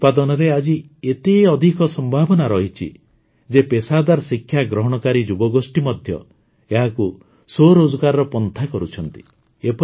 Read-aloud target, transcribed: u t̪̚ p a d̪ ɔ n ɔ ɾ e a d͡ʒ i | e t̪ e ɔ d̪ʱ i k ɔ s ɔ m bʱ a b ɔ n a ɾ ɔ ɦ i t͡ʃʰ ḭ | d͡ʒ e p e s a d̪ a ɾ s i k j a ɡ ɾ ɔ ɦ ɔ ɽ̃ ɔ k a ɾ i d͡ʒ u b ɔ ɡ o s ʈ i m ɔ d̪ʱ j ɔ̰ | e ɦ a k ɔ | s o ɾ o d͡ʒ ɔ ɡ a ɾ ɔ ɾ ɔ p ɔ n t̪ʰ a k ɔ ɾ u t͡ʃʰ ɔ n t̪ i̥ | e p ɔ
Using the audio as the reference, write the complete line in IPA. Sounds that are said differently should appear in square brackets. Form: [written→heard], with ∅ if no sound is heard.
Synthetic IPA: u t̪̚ p a d̪ ɔ n ɔ ɾ e a d͡ʒ i | e t̪ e ɔ d̪ʱ i k ɔ s ɔ m bʱ a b ɔ n a ɾ ɔ ɦ i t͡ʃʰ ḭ | d͡ʒ e p e s a d̪ a ɾ s i [k→kʰ] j a ɡ ɾ ɔ ɦ ɔ ɽ̃ ɔ k a ɾ i d͡ʒ u b ɔ ɡ o s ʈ i m ɔ d̪ʱ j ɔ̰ | e ɦ a k [ɔ→u] | s o ɾ o d͡ʒ ɔ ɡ a ɾ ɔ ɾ ɔ p ɔ n t̪ʰ a k ɔ ɾ u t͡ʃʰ ɔ n t̪ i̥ | e p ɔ